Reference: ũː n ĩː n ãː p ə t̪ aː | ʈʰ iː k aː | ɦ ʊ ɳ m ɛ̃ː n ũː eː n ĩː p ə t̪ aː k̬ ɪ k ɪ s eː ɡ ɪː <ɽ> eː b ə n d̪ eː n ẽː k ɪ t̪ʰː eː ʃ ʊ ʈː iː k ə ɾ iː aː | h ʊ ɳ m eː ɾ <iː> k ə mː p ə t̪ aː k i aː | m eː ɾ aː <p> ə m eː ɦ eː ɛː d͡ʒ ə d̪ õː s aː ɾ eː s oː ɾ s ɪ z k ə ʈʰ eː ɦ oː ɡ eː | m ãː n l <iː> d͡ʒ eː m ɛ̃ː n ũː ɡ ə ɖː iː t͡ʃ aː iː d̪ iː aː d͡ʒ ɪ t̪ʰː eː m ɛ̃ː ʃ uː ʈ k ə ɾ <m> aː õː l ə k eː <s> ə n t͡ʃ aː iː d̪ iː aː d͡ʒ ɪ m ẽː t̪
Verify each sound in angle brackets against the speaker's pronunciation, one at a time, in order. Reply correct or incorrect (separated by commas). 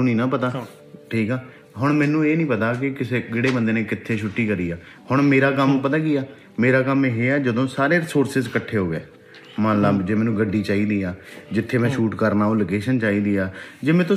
correct, incorrect, incorrect, incorrect, incorrect, incorrect